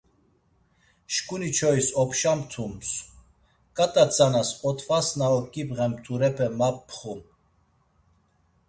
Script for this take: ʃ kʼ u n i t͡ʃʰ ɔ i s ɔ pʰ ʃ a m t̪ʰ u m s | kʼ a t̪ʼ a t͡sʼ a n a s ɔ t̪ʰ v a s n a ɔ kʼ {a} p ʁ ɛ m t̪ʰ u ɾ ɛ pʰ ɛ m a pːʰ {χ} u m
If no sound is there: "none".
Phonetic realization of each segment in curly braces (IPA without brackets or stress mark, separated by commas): i, χ